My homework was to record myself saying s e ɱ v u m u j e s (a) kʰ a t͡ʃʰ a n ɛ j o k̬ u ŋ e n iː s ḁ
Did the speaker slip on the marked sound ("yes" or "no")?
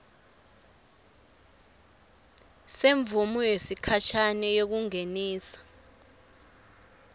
yes